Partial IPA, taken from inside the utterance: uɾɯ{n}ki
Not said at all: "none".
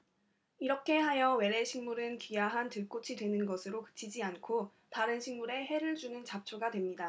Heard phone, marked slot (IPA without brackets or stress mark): n